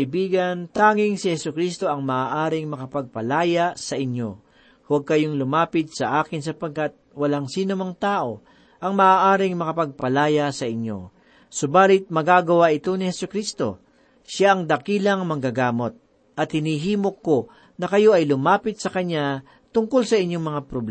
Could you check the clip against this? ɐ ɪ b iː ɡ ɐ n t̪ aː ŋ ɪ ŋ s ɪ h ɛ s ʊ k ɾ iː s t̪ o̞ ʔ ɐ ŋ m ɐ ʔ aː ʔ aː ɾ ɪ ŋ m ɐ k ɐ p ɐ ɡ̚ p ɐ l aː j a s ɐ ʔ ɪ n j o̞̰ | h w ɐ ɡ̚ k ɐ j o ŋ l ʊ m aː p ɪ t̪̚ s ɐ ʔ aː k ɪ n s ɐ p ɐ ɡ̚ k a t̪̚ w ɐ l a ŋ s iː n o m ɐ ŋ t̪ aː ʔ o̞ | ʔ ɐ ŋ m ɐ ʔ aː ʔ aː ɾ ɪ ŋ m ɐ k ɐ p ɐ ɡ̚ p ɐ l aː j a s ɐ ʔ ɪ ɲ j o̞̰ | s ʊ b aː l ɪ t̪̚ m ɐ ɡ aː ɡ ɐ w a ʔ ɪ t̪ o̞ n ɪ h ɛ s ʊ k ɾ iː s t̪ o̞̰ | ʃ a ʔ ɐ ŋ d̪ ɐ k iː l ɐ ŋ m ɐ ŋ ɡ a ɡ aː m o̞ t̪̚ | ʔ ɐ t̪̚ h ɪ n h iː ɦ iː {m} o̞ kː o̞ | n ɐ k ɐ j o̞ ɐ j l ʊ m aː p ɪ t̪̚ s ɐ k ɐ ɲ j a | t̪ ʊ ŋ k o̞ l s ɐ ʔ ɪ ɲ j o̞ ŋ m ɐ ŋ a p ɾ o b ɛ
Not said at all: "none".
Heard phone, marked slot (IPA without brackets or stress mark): m